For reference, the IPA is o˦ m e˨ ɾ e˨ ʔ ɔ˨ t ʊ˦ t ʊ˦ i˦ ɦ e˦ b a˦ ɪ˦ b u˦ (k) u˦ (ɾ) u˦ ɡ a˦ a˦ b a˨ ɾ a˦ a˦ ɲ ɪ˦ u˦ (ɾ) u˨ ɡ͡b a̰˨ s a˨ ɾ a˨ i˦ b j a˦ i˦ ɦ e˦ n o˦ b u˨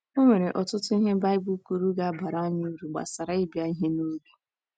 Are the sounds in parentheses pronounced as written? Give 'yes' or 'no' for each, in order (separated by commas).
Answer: yes, yes, yes